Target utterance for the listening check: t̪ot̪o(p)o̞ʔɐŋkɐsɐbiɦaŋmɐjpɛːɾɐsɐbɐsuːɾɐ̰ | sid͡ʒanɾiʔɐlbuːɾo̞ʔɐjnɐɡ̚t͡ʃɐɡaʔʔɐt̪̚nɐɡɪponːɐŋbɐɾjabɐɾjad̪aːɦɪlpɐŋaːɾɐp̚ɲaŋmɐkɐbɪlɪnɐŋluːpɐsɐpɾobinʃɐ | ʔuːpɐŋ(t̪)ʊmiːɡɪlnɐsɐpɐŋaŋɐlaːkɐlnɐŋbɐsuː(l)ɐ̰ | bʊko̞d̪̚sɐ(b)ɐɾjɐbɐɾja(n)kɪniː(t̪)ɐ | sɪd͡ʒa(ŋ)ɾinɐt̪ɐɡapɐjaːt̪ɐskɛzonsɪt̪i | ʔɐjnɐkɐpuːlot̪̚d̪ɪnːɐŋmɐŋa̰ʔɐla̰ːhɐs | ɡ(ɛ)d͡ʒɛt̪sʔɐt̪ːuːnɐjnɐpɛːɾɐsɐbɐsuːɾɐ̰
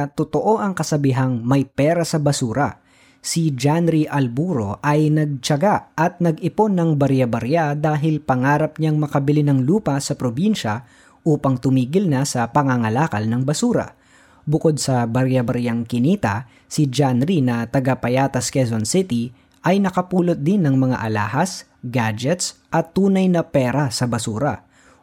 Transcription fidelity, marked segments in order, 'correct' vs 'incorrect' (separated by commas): incorrect, correct, incorrect, correct, incorrect, correct, incorrect, incorrect